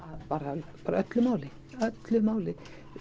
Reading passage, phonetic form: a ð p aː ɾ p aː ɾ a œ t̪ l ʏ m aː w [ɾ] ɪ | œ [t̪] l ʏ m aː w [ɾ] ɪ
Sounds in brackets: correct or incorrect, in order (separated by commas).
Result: incorrect, correct, incorrect